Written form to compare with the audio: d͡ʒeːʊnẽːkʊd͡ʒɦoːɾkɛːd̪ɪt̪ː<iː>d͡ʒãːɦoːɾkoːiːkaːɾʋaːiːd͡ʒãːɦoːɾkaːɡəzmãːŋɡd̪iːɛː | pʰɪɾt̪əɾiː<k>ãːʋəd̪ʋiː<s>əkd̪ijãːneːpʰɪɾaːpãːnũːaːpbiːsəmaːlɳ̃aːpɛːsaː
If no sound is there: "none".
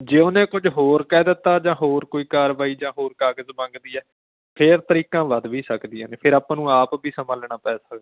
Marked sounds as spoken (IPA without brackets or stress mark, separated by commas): aː, k, s